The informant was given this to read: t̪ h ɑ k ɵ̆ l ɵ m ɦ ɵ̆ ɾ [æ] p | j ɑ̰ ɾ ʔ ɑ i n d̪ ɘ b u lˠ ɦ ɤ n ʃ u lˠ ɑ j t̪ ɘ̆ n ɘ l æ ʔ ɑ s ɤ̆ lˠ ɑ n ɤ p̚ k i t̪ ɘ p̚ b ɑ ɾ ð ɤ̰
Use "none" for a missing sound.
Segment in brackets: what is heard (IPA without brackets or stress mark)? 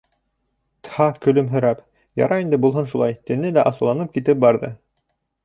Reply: æ